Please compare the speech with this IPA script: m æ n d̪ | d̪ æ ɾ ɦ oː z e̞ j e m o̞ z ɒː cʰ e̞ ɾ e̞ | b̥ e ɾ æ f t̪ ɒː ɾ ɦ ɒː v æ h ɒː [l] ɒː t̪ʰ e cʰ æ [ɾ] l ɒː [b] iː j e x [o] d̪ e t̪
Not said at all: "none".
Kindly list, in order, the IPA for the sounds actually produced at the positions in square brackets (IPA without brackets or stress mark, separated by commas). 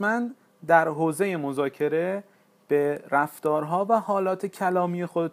l, none, m, o